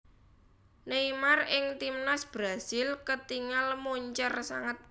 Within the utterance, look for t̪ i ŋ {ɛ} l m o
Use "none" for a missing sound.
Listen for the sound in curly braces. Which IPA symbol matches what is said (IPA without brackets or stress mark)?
a